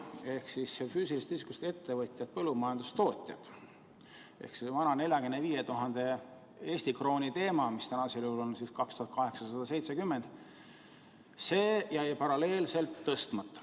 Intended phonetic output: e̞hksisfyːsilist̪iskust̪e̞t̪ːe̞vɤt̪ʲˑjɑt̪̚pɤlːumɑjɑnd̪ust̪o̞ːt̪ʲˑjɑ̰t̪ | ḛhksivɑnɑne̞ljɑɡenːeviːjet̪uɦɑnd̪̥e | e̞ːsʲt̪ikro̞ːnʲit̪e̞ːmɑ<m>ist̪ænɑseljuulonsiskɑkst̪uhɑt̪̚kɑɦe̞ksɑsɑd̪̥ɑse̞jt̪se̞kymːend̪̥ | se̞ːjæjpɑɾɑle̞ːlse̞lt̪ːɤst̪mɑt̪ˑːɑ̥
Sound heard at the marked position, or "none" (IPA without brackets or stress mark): m